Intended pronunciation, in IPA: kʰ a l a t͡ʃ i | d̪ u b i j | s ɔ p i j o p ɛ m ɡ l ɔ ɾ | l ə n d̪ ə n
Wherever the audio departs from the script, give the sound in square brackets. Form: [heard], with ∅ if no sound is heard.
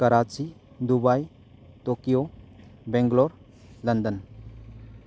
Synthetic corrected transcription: [k] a [ɾ] a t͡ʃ i | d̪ u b [a] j | [t] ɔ [k] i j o [b] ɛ [ŋ] ɡ l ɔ ɾ | l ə n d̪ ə n